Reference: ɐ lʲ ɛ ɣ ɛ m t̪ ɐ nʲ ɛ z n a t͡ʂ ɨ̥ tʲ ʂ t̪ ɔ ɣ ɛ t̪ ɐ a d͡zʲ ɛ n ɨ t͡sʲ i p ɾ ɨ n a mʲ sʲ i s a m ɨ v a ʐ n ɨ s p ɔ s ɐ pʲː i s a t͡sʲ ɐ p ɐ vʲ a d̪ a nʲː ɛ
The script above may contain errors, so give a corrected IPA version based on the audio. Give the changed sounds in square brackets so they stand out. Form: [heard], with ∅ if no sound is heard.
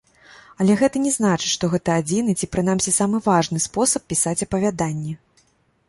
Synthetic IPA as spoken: ɐ lʲ ɛ ɣ ɛ [∅] t̪ ɐ nʲ ɛ z n a t͡ʂ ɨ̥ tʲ ʂ t̪ ɔ ɣ ɛ t̪ ɐ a d͡zʲ [i] n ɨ t͡sʲ i p ɾ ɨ n a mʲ sʲ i s a m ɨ v a ʐ n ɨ s p ɔ s ɐ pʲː i s a t͡sʲ ɐ p ɐ vʲ a d̪ a nʲː ɛ